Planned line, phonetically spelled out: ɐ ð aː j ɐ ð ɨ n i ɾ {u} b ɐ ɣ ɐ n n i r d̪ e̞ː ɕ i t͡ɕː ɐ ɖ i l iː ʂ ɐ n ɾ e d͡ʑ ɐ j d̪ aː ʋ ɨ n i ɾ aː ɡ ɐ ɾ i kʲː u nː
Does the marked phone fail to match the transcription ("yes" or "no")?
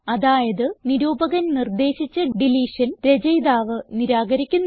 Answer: yes